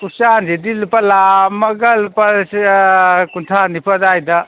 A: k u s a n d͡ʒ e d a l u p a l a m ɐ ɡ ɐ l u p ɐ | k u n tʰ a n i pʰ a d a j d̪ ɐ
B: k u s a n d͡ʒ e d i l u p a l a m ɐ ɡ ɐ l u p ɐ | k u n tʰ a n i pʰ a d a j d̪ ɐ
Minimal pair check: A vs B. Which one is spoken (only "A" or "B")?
B